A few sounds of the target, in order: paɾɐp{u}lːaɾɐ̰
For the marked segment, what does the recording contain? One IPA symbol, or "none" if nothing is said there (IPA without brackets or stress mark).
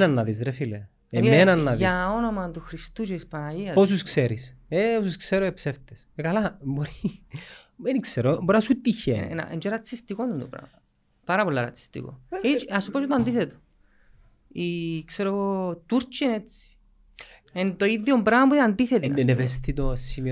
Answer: o